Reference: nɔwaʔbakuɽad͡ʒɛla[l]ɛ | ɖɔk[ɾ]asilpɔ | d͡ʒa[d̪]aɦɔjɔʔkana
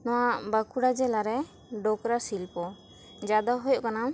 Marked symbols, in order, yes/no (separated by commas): no, yes, yes